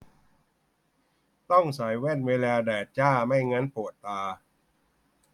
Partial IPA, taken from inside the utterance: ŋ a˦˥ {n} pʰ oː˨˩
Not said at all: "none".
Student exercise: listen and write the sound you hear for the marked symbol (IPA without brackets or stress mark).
n